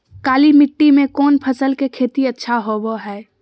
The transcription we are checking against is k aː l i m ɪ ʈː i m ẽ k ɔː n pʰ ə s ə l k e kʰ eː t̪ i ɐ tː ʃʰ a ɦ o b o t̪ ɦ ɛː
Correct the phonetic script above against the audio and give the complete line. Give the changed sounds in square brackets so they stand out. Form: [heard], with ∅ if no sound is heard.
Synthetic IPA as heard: k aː l i m ɪ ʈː i m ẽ k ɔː n pʰ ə s ə l k e kʰ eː t̪ i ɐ tː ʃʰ a ɦ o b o [∅] ɦ ɛː